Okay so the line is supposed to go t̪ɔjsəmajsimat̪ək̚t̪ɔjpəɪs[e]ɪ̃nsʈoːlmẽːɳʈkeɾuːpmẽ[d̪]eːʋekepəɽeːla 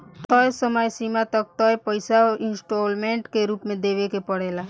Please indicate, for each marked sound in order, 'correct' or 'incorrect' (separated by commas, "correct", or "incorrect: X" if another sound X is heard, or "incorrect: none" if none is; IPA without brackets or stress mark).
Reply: incorrect: a, correct